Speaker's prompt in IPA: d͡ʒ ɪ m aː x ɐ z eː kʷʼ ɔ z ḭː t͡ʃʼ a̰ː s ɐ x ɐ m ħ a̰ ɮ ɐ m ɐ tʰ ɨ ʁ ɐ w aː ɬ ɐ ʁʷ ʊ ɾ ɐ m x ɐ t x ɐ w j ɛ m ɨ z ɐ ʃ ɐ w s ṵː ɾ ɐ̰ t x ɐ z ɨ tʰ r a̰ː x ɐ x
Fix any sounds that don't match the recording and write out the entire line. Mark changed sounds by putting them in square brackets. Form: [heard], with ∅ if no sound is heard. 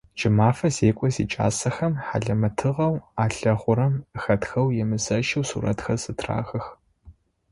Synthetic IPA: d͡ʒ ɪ m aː [f] ɐ z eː kʷʼ ɔ z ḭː t͡ʃʼ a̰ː s ɐ x ɐ m ħ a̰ ɮ ɐ m ɐ tʰ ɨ ʁ ɐ w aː ɬ ɐ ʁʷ ʊ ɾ ɐ m x ɐ t x ɐ w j ɛ m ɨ z ɐ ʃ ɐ w s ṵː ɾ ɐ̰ t x ɐ z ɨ tʰ r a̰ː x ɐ x

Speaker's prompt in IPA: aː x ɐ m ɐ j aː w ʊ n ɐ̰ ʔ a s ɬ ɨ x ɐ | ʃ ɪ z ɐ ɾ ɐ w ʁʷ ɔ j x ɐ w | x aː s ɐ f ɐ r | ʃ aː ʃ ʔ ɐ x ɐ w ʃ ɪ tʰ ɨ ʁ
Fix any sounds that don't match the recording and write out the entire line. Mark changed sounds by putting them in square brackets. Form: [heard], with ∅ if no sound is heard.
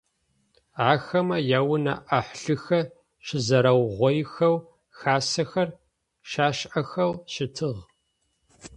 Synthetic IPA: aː x ɐ m ɐ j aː w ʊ n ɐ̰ ʔ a [ħ] ɬ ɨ x ɐ | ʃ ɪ z ɐ ɾ ɐ w ʁʷ ɔ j x ɐ w | x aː s ɐ [x] ɐ r | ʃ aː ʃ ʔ ɐ x ɐ w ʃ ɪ tʰ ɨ ʁ

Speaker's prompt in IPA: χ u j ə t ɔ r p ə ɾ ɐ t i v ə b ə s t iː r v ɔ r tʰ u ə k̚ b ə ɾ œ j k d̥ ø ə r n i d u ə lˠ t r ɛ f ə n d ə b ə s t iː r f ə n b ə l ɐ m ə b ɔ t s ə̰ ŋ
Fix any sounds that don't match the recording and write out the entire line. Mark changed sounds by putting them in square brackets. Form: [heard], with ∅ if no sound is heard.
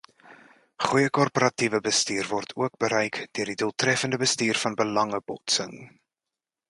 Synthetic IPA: χ u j ə [k] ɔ r p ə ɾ ɐ t i v ə b ə s t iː r v ɔ r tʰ u ə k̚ b ə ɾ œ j k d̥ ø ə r [d] i d u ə lˠ t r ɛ f ə n d ə b ə s t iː r f [ɐ] n b ə l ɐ [ŋ] ə b ɔ t s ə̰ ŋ

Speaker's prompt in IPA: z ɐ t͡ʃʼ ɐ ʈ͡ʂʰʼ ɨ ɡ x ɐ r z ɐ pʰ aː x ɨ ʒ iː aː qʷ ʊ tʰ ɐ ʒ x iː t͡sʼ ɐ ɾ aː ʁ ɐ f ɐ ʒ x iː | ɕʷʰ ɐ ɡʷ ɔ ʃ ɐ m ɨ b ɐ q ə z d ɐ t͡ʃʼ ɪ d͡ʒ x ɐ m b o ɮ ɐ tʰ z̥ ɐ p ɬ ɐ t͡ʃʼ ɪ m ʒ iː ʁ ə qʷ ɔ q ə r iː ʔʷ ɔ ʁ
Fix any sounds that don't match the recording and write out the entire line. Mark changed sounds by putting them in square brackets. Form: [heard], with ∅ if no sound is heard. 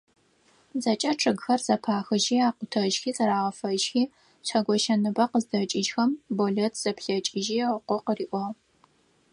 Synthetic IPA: z ɐ t͡ʃʼ ɐ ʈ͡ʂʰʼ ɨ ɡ x ɐ r z ɐ pʰ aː x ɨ ʒ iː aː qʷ ʊ tʰ ɐ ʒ x iː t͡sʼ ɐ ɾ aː ʁ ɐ f ɐ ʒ x iː | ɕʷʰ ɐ ɡʷ ɔ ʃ ɐ [n] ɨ b ɐ q ə z d ɐ t͡ʃʼ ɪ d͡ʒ x ɐ m b o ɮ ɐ tʰ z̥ ɐ p ɬ ɐ t͡ʃʼ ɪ [∅] ʒ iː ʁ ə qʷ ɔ q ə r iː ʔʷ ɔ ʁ

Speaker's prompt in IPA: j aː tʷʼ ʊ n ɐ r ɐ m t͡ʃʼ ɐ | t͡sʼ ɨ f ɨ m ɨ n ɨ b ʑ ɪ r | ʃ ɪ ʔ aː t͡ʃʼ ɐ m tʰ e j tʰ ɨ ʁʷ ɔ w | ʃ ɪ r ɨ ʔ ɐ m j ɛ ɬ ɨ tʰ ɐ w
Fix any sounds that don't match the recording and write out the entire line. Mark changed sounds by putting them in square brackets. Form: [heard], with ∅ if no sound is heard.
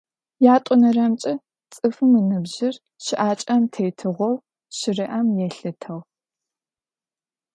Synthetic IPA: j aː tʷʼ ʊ n ɐ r ɐ m t͡ʃʼ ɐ | t͡sʼ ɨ f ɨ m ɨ n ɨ b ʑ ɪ r | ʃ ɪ ʔ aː t͡ʃʼ ɐ m tʰ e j tʰ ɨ ʁʷ ɔ w | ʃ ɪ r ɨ ʔ ɐ m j ɛ ɬ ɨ tʰ ɐ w

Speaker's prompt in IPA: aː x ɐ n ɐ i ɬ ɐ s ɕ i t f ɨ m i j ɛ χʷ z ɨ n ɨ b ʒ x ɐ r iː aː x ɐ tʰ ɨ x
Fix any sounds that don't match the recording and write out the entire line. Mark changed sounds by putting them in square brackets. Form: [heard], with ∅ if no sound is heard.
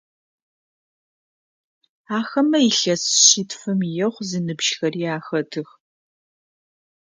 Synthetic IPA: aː x ɐ [m] ɐ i ɬ ɐ s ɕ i t f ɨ m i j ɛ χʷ z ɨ n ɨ b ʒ x ɐ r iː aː x ɐ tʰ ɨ x

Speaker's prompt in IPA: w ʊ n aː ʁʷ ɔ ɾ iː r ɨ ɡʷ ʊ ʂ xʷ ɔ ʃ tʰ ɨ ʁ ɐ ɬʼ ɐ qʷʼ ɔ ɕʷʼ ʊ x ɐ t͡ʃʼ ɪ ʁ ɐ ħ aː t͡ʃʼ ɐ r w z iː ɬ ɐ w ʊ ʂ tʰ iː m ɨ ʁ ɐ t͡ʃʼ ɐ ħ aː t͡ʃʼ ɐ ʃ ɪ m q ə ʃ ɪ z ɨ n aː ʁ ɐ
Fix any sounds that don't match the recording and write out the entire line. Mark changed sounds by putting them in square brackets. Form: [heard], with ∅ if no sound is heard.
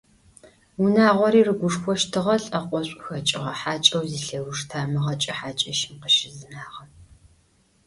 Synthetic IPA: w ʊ n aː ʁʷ ɔ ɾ iː r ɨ ɡʷ ʊ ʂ xʷ ɔ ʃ tʰ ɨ ʁ ɐ ɬʼ ɐ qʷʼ ɔ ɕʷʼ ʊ x ɐ t͡ʃʼ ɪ ʁ ɐ ħ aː t͡ʃʼ ɐ [∅] w z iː ɬ ɐ w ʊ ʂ tʰ [aː] m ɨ ʁ ɐ t͡ʃʼ ɐ ħ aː t͡ʃʼ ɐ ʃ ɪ m q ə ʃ ɪ z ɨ n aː ʁ ɐ

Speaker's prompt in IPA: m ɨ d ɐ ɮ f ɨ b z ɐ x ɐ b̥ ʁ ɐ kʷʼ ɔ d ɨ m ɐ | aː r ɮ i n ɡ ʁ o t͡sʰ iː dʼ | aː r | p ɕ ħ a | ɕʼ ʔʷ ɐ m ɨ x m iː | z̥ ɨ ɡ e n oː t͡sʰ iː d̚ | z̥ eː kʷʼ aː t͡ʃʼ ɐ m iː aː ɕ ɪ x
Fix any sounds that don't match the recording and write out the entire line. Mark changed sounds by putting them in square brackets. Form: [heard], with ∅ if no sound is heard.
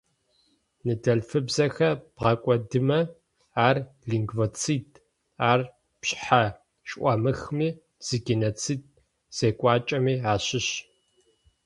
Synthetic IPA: [n] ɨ d ɐ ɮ f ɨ b z ɐ x ɐ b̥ ʁ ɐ kʷʼ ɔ d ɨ m ɐ | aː r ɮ i [ŋ] ɡ [v] o t͡sʰ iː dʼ | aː r | p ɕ ħ a | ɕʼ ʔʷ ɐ m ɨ x m iː | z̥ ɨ ɡ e n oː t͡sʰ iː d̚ | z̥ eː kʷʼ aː t͡ʃʼ ɐ m iː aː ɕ ɪ [ɕ]

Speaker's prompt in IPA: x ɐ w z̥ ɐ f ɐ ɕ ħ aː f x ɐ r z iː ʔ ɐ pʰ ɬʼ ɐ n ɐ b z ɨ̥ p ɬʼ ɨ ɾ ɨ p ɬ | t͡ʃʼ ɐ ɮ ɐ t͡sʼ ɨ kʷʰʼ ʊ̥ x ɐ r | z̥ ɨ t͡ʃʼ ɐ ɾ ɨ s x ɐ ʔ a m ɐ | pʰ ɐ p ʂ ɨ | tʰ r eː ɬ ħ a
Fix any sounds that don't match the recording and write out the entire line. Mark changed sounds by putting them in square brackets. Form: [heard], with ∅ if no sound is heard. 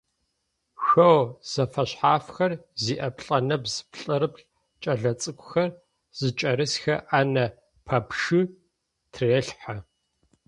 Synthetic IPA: x ɐ w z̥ ɐ f ɐ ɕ ħ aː f x ɐ r z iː ʔ ɐ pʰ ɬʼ ɐ n ɐ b z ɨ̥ p ɬʼ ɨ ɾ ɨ p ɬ | t͡ʃʼ ɐ ɮ ɐ t͡sʼ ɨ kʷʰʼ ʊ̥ x ɐ r | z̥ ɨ t͡ʃʼ ɐ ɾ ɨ s x ɐ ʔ a [n] ɐ | pʰ ɐ p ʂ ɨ | tʰ r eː ɬ ħ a

